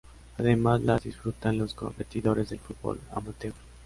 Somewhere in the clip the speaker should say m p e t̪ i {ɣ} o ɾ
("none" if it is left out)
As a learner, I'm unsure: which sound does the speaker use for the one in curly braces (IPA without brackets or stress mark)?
ð